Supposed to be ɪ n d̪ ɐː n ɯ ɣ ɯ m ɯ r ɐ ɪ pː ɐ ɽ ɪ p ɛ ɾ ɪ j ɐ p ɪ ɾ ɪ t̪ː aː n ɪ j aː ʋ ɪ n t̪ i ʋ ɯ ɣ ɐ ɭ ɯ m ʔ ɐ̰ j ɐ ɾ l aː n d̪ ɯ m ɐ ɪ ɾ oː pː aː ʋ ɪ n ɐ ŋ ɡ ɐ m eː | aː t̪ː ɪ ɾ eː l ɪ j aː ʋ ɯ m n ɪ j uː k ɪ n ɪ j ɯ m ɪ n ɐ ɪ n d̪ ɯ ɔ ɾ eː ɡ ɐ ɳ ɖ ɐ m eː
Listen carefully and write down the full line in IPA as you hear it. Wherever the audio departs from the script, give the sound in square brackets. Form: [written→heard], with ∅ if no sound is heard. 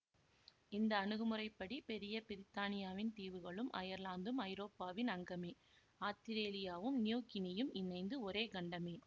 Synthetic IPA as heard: ɪ n d̪ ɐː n ɯ ɣ ɯ m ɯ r ɐ ɪ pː ɐ ɽ [ɪ→i] p ɛ ɾ ɪ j ɐ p ɪ ɾ ɪ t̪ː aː n ɪ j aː ʋ ɪ n t̪ [i→iː] ʋ ɯ ɣ ɐ ɭ ɯ m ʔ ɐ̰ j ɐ ɾ l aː n d̪ ɯ m ɐ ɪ ɾ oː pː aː ʋ ɪ n ɐ ŋ ɡ ɐ m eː | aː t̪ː ɪ ɾ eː l ɪ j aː ʋ ɯ m n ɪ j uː k ɪ n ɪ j ɯ m ɪ n ɐ ɪ n d̪ ɯ ɔ ɾ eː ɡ ɐ ɳ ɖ ɐ m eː